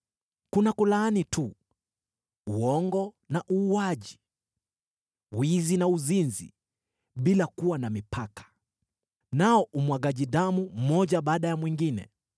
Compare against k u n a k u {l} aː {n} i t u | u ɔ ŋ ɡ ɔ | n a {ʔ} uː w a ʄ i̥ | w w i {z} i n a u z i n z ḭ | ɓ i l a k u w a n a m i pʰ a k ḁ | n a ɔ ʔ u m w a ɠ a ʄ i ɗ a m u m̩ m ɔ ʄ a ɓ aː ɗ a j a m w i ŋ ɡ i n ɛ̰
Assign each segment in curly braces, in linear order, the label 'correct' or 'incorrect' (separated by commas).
correct, correct, correct, correct